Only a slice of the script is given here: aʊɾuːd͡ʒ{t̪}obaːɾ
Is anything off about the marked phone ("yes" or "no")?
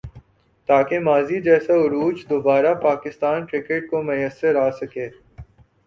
yes